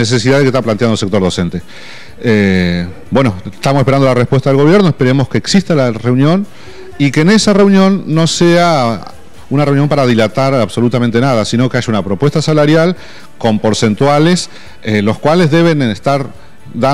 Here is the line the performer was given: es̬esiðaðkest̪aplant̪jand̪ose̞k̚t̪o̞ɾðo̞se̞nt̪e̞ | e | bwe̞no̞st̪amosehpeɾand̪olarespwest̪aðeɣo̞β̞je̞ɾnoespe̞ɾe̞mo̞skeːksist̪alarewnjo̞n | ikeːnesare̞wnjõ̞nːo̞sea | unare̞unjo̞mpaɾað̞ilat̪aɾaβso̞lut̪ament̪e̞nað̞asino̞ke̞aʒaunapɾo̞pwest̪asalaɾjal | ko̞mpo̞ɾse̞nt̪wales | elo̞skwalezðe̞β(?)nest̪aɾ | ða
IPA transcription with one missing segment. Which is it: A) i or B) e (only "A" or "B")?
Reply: B